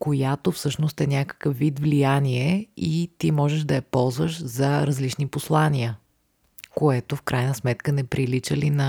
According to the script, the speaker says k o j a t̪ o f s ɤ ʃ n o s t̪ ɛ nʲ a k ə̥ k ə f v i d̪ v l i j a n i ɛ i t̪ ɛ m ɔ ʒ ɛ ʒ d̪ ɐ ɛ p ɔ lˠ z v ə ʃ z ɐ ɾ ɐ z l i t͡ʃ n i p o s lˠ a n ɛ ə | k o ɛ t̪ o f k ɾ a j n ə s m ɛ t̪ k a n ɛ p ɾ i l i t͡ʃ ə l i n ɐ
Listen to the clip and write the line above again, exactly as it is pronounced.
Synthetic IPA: k o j a t̪ o f s ɤ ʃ n o s t̪ ɛ nʲ a k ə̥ k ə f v i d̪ v l i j a n i ɛ i t̪ i m ɔ ʒ ɛ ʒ d̪ ɐ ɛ p ɔ lˠ z v ə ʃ z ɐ ɾ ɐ z l i t͡ʃ n i p o s lˠ a n i ə | k o ɛ t̪ o f k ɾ a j n ə s m ɛ t̪ k ə n ɛ p ɾ i l i t͡ʃ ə l i n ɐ